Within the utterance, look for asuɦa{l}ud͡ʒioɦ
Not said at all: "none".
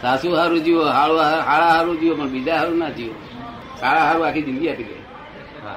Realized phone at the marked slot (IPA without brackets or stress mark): ɾ